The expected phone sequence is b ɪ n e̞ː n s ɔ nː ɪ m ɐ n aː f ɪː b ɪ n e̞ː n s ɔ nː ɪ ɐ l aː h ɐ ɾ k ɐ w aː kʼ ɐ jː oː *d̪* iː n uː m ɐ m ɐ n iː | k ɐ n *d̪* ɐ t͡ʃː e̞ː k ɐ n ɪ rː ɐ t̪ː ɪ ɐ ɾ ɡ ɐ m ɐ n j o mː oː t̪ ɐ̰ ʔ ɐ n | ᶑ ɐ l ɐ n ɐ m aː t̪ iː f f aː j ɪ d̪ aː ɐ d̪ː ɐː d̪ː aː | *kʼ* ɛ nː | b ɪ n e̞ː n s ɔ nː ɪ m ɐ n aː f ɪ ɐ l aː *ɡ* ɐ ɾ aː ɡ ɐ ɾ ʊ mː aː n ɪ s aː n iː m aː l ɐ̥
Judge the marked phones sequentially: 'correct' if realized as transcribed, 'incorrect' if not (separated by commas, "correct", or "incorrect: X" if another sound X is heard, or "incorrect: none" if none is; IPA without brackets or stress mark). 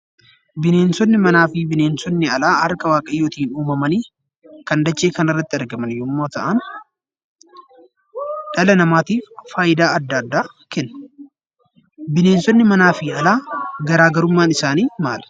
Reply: incorrect: t̪, correct, incorrect: k, correct